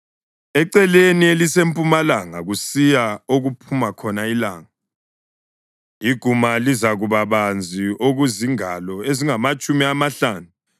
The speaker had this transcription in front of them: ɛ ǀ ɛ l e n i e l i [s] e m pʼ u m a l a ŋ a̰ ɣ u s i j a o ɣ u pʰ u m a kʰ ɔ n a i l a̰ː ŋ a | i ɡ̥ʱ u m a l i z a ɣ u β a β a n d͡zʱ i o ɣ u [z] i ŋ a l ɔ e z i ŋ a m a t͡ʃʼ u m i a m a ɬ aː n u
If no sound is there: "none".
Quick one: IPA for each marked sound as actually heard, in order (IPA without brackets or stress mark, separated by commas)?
s, z